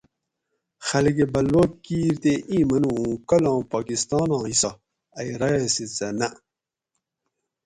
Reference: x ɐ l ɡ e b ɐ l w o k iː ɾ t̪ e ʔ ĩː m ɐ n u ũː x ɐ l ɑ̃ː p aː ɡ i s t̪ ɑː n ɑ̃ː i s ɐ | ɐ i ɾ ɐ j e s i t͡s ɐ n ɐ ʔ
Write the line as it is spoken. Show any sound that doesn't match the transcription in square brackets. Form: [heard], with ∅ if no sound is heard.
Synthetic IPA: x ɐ l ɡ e b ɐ l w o k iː ɾ t̪ e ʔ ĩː m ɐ n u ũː [k] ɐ l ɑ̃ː p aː [k] i s t̪ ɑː n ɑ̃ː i s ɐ | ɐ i ɾ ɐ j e s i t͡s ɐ n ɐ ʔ